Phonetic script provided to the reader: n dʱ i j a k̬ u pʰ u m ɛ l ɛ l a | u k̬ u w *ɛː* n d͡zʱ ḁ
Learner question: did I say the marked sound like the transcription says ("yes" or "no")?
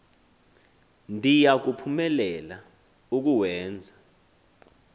yes